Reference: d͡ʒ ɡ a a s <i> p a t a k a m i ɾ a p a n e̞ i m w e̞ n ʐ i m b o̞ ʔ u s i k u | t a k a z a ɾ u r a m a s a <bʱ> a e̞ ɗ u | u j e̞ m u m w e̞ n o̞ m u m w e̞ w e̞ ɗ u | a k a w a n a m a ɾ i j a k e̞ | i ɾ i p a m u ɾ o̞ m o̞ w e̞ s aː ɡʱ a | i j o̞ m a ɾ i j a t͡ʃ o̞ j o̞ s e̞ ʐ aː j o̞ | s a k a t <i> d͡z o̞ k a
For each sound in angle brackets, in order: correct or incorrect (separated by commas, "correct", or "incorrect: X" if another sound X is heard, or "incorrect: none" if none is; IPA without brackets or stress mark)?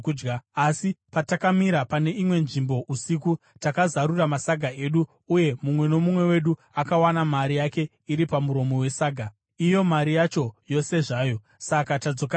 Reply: correct, incorrect: ɡʱ, incorrect: a